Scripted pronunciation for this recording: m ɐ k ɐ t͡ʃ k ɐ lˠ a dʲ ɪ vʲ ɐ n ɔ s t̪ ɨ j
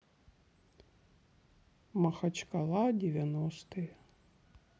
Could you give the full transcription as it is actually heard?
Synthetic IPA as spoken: m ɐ x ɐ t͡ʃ k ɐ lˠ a dʲ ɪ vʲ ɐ n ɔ s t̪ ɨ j